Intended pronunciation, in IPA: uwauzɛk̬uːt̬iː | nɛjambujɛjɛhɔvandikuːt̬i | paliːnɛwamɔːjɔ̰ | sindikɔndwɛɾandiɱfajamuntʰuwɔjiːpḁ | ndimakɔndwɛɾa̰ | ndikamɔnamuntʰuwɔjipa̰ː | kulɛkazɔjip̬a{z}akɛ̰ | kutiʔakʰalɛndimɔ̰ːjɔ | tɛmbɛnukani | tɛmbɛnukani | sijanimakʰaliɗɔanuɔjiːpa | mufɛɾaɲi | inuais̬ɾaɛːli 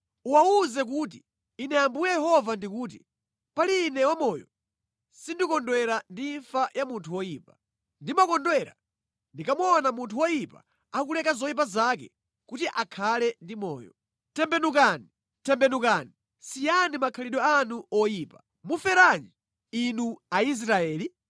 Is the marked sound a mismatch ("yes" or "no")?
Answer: no